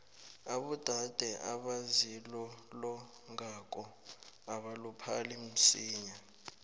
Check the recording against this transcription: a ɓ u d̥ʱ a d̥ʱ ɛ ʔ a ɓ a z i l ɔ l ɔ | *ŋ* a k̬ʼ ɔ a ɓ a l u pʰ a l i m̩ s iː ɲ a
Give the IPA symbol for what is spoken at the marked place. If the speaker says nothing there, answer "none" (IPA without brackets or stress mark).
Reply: ŋ